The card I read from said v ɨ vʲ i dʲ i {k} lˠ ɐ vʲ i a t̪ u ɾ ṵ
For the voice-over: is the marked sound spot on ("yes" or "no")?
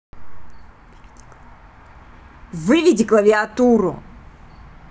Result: yes